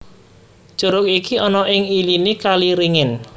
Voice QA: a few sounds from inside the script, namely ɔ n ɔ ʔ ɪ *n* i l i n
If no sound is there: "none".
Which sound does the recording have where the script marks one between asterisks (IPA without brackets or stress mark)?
ŋ